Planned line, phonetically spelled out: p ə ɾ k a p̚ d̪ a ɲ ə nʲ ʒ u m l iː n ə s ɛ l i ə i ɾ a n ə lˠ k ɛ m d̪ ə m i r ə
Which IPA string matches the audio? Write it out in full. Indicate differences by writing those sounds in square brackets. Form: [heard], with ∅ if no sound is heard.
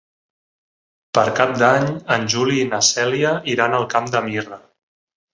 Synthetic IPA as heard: p ə ɾ k a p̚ d̪ a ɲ ə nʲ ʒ u [∅] l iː n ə s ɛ l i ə i ɾ a n ə lˠ k [a] m d̪ ə m i r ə